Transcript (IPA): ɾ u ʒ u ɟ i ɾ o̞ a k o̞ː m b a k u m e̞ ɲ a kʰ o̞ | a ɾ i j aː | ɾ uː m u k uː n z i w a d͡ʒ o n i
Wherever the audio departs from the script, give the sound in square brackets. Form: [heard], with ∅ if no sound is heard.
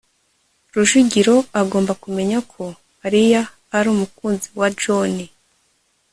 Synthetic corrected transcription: ɾ u ʒ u ɟ i ɾ o̞ a [ɡ] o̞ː m b a k u m e̞ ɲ a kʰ o̞ | a ɾ i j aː | ɾ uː m u k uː n z i w a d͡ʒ o n i